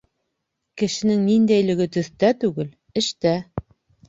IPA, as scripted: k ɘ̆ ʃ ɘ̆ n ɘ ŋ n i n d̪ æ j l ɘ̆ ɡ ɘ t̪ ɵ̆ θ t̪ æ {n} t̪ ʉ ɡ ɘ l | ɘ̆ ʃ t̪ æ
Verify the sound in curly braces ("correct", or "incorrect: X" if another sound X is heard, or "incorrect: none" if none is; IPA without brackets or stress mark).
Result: incorrect: none